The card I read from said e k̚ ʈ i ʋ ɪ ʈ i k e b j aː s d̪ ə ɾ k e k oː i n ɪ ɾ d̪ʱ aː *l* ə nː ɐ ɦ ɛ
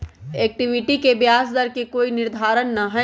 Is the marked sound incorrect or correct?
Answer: incorrect